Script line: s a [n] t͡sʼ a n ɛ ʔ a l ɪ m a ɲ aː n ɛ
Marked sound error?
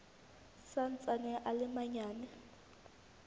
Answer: no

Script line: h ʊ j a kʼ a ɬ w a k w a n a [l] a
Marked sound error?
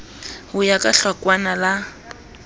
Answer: no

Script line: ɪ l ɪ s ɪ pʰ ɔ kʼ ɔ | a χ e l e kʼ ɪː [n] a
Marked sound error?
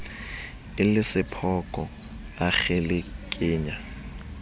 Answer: yes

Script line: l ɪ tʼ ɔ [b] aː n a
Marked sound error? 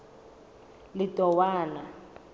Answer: yes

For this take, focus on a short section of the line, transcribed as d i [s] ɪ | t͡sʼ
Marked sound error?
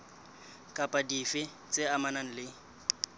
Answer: yes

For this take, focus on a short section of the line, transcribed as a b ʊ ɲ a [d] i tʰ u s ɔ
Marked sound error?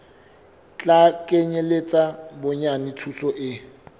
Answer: yes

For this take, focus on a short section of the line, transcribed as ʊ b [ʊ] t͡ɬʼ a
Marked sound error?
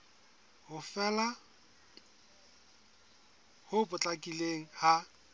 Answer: no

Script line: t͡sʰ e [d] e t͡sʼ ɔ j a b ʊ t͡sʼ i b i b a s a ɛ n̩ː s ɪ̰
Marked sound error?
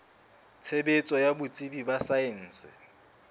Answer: yes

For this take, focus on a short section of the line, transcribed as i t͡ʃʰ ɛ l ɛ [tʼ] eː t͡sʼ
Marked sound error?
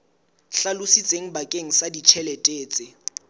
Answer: no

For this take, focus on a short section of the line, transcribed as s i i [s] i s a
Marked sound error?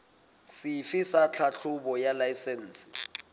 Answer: yes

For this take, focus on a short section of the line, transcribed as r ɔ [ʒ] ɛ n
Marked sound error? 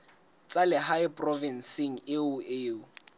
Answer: yes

